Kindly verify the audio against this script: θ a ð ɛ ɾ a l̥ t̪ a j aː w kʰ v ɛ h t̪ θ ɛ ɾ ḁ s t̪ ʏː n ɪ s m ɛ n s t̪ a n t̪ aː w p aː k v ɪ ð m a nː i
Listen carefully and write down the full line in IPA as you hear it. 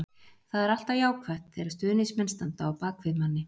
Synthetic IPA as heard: θ a ð ɛ ɾ a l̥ t̪ a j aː w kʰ v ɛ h t̪ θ ɛ ɾ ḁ s t̪ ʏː n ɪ s m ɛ n s t̪ a n t̪ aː w p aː k v ɪ ð m a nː ɪ